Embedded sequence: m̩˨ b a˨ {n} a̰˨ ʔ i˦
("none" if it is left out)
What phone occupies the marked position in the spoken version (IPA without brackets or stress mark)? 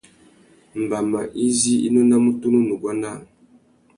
m